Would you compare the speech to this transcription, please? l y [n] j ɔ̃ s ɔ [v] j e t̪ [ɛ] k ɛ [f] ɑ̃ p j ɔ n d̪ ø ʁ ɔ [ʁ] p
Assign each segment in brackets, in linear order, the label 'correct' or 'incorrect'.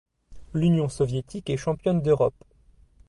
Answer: correct, correct, incorrect: i, incorrect: ʃ, incorrect: none

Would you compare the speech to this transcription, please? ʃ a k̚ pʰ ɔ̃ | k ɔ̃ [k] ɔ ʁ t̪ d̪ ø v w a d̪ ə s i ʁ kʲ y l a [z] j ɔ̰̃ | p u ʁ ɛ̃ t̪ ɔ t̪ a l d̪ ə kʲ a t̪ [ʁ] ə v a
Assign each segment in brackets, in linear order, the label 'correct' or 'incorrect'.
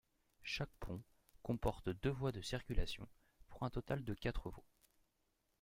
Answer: incorrect: p, incorrect: s, incorrect: χ

